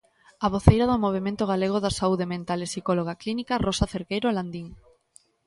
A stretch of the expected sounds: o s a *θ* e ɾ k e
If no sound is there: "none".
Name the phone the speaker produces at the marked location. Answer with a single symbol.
θ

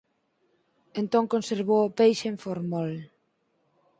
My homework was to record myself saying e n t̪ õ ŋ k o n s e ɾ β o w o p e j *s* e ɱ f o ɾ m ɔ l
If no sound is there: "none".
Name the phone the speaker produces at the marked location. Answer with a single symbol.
ʃ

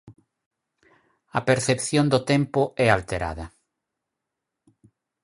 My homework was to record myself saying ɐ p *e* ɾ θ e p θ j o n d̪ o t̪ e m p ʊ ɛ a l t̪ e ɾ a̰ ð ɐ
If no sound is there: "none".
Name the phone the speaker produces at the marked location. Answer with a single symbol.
e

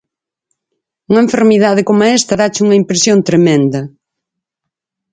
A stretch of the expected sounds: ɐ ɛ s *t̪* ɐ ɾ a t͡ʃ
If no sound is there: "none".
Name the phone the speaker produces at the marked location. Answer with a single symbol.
t̪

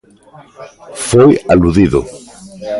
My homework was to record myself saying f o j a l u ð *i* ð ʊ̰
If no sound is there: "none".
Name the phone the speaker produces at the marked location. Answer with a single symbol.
i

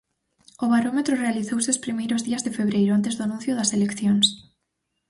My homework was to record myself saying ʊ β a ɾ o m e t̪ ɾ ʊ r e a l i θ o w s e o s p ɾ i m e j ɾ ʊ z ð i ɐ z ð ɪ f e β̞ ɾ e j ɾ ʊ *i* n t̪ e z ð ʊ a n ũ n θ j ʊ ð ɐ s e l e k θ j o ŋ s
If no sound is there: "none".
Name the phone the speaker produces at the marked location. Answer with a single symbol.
a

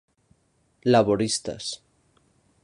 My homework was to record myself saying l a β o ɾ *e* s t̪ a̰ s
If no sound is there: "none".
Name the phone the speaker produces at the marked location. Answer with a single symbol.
i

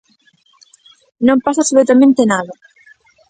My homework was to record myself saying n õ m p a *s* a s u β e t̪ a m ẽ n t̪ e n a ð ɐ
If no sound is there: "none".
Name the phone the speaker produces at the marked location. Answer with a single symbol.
s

